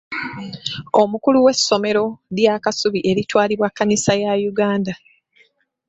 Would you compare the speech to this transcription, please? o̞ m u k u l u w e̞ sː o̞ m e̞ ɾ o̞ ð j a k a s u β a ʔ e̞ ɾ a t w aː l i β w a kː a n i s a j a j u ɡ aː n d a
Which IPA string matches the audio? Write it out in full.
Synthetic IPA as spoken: o̞ m u k u l u w e̞ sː o̞ m e̞ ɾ o̞ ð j a k a s u β i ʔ e̞ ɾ i t w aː l i β w a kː a n i s a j a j u ɡ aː n d a

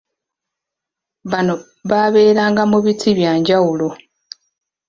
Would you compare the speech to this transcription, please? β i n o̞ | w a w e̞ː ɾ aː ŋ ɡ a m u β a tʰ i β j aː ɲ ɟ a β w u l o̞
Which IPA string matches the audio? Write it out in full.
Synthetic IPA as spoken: β a n o̞ | β a β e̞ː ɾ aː ŋ ɡ a m u β i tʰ i β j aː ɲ ɟ a w u l o̞

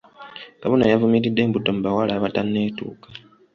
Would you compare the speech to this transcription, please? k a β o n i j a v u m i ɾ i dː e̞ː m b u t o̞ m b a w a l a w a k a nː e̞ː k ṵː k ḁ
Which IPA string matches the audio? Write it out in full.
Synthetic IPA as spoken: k a β o n a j a v u m i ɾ i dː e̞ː m b u t o̞ m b a w a l a β a t a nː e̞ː t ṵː k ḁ

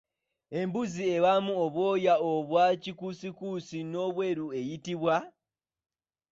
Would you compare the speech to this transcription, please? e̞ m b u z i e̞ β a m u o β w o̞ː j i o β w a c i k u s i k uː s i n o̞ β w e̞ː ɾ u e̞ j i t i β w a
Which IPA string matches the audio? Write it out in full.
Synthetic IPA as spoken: e̞ m b u z i e̞ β a m u o β w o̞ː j a o β w a c i k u s i k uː s i n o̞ β w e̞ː ɾ u e̞ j i t i β w a

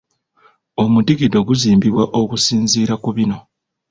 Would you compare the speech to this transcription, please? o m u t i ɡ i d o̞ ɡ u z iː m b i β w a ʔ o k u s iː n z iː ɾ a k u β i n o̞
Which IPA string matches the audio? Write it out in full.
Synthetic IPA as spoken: o m u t i ɡ i d o̞ ɡ u z iː m b i β w a ʔ o k u s iː n z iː ɾ a k u β i n o̞

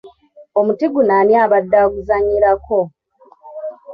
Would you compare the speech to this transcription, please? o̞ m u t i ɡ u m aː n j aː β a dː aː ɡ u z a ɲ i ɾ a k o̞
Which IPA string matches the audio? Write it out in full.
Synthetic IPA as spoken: o̞ m u t i ɡ u n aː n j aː β a dː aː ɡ u z a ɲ i ɾ a k o̞

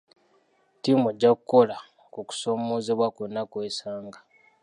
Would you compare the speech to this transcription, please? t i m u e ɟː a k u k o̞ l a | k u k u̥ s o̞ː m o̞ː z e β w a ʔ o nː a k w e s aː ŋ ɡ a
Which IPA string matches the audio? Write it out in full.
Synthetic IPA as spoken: t i m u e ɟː a k u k o̞ l a | k u k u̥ s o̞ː m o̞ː z e β w a k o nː a k w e s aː ŋ ɡ a

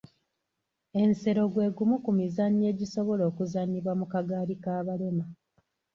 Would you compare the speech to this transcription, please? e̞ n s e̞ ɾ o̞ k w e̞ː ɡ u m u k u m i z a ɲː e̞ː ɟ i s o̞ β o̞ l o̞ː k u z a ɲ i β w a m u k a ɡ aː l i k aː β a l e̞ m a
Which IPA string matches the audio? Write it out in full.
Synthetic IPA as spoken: e̞ n s e̞ ɾ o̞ ɡ w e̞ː ɡ u m u k u m i z a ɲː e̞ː ɟ i s o̞ β o̞ l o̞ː k u z a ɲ i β w a m u k a ɡ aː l i k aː β a l e̞ m a

